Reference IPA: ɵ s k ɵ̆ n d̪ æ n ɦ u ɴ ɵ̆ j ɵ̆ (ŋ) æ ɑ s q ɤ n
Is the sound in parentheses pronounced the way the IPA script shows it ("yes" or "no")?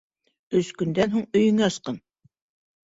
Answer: yes